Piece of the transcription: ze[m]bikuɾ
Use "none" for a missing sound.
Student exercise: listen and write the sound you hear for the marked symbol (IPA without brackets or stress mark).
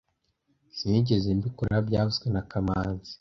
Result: m